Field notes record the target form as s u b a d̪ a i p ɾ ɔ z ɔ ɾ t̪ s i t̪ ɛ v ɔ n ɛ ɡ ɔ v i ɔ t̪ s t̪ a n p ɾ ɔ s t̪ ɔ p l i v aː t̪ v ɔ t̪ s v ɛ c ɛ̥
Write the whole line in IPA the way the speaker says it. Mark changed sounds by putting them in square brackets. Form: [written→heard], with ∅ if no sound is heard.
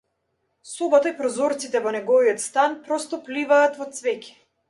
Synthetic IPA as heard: s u b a [d̪→t̪] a i p ɾ ɔ z ɔ ɾ t̪ s i t̪ ɛ v ɔ n ɛ ɡ ɔ v i ɔ t̪ s t̪ a n p ɾ ɔ s t̪ ɔ p l i v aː t̪ v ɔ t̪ s v ɛ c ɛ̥